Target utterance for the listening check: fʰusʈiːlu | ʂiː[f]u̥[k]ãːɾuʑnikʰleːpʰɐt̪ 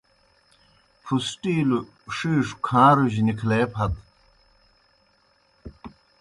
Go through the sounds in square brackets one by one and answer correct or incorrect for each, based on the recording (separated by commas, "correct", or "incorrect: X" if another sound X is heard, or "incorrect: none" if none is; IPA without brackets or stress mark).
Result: incorrect: ʂ, incorrect: kʰ